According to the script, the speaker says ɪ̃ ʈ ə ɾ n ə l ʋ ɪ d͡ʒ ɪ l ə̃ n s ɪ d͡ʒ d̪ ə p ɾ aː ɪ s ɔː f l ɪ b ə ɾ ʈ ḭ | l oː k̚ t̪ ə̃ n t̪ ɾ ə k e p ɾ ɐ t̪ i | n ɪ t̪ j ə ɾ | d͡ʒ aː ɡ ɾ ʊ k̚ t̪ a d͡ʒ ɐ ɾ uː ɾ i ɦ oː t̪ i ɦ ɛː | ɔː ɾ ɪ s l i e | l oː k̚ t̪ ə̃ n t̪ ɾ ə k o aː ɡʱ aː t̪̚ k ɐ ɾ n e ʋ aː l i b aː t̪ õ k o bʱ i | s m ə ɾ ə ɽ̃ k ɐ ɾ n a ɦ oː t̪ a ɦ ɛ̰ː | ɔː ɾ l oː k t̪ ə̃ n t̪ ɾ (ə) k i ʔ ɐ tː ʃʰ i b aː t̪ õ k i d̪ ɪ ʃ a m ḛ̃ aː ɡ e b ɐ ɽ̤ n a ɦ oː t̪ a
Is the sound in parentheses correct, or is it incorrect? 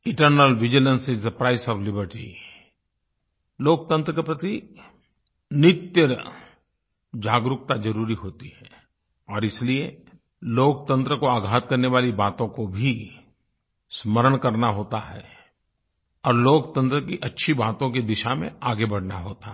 correct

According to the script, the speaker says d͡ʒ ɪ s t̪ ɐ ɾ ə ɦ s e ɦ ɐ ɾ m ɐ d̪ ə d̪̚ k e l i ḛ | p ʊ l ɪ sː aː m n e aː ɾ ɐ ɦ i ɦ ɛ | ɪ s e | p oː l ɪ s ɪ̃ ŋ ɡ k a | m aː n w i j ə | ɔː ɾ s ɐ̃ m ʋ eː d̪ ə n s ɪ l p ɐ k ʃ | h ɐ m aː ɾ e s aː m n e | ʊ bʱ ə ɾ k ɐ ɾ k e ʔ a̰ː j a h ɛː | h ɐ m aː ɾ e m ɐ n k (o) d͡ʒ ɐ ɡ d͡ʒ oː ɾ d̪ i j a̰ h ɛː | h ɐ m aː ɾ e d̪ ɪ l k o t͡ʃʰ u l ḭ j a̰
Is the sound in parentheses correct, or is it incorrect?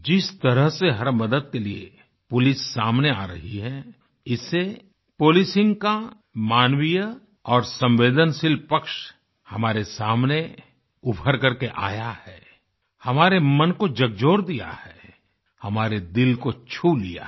correct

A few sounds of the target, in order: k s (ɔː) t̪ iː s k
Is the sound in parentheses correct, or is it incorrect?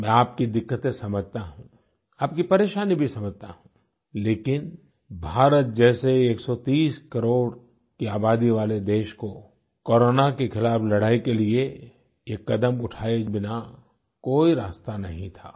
incorrect: ɔ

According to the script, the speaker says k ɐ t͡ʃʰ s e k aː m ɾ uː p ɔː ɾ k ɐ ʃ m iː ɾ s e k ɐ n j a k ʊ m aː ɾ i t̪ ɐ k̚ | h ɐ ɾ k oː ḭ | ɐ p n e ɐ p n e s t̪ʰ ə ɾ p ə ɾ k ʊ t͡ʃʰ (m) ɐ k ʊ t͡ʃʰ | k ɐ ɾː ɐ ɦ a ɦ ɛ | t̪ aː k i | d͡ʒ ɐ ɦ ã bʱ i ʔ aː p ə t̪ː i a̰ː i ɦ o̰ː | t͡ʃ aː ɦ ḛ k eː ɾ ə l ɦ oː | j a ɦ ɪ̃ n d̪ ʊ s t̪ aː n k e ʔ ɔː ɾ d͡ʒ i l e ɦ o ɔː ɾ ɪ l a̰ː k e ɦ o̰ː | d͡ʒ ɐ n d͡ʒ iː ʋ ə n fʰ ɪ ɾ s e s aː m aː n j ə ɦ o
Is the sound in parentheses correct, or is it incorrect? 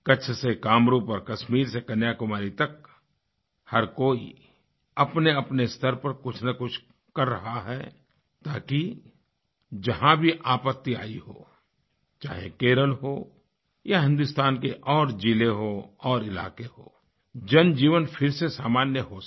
incorrect: n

